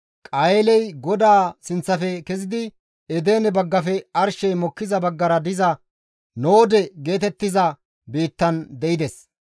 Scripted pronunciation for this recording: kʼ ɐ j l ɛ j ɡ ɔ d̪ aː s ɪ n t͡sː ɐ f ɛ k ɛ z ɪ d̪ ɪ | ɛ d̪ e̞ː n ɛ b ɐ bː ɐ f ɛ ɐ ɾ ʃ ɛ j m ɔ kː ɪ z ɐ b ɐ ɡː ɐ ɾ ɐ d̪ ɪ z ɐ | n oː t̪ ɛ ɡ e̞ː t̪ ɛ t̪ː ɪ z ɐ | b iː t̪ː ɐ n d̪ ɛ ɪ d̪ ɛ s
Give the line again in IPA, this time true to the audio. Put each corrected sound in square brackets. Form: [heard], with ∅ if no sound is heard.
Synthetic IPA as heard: kʼ ɐ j l ɛ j ɡ ɔ d̪ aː s ɪ n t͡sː ɐ f ɛ k ɛ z ɪ d̪ ɪ | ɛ d̪ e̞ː n ɛ b ɐ [ɡː] ɐ f ɛ ɐ ɾ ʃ ɛ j m ɔ kː ɪ z ɐ b ɐ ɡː ɐ ɾ ɐ d̪ ɪ z ɐ | n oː [d̪] ɛ ɡ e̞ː t̪ ɛ t̪ː ɪ z ɐ | b iː t̪ː ɐ n d̪ ɛ ɪ d̪ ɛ s